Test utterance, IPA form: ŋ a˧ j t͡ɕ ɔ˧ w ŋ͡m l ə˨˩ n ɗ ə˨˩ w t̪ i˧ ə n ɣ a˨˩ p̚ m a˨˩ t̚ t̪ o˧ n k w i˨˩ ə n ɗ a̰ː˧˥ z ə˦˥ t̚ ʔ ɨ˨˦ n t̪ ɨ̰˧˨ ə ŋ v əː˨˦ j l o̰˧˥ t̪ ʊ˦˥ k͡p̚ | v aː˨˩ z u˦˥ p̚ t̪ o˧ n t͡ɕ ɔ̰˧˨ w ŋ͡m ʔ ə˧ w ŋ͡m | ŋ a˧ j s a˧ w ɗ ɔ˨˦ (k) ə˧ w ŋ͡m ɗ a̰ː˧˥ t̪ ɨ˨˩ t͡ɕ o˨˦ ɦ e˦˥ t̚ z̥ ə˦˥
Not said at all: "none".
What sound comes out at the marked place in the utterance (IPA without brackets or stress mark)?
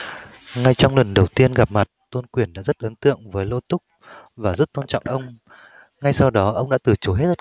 ʔ